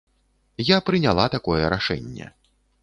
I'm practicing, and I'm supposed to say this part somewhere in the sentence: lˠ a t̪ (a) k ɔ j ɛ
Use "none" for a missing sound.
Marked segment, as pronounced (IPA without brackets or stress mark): a